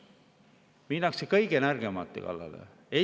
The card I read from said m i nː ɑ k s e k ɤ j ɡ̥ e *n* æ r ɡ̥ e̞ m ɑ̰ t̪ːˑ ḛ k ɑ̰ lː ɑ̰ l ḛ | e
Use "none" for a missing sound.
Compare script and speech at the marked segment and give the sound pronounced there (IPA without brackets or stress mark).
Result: n